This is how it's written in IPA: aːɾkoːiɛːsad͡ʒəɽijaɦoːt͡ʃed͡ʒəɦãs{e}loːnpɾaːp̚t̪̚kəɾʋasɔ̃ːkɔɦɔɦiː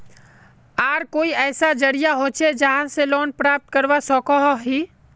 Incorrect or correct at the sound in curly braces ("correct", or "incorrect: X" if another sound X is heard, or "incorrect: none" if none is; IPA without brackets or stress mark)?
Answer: correct